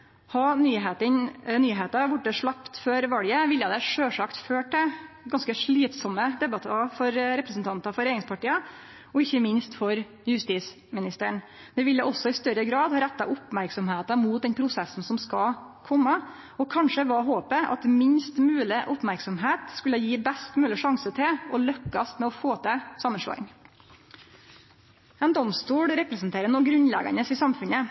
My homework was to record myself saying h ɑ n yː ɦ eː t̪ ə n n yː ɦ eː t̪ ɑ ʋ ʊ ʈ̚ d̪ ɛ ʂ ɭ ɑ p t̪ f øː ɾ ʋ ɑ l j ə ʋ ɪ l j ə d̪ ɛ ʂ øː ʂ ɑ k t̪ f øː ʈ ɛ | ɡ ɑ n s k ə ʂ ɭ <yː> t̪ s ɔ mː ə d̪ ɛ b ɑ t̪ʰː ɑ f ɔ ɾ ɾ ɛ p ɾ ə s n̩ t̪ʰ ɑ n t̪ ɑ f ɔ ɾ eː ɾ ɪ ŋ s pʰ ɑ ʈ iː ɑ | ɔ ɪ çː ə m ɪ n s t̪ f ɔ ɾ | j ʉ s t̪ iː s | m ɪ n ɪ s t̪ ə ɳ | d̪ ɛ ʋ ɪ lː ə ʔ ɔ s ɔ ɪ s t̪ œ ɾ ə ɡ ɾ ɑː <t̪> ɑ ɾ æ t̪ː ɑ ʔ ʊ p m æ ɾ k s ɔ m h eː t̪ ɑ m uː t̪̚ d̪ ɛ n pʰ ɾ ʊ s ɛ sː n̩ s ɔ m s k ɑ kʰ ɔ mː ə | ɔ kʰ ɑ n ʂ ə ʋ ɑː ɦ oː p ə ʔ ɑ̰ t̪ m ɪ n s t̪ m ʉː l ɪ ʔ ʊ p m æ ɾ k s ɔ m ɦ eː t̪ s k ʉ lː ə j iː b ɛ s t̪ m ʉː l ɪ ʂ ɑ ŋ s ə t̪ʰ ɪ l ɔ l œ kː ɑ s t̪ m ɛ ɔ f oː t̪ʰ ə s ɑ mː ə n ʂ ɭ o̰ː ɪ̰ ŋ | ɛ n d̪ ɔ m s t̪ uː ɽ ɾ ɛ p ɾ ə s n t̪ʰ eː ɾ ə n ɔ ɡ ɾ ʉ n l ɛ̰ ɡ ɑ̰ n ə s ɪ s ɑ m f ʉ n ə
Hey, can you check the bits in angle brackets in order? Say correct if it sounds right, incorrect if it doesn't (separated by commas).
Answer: incorrect, incorrect